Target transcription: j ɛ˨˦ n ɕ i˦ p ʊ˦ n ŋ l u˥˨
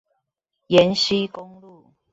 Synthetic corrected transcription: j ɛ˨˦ n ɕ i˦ k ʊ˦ ŋ l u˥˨